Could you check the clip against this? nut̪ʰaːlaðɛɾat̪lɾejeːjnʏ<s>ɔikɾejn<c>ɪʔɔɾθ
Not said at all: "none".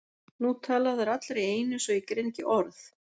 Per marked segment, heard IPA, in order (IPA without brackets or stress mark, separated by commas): s, c